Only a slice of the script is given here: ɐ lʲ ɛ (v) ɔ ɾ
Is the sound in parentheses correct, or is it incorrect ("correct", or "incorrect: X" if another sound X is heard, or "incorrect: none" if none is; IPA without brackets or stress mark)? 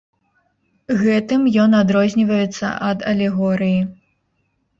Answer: incorrect: ɣ